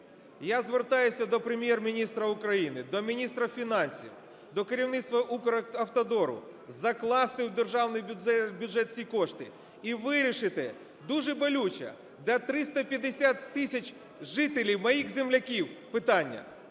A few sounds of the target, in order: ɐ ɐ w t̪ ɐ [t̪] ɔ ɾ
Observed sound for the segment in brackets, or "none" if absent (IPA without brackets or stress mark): d̪